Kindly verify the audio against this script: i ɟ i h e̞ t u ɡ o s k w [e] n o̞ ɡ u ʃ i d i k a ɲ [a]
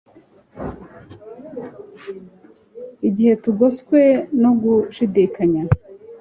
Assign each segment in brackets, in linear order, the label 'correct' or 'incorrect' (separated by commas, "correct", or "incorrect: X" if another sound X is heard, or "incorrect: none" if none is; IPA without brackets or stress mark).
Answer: correct, correct